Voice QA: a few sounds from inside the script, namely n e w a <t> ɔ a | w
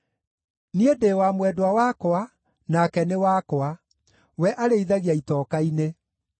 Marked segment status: incorrect: k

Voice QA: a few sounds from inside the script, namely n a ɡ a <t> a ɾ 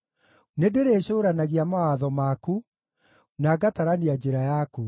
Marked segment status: correct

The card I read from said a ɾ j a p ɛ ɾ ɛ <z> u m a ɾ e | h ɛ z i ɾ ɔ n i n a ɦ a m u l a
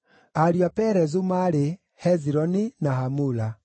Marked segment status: correct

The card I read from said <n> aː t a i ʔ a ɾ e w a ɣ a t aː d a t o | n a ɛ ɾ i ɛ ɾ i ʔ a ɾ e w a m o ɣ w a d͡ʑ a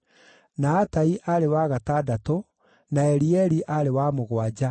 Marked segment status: correct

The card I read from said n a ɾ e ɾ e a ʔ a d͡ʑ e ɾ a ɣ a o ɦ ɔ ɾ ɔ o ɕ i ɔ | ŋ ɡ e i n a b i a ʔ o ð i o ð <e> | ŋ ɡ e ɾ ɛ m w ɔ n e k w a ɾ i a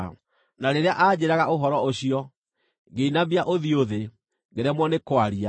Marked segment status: correct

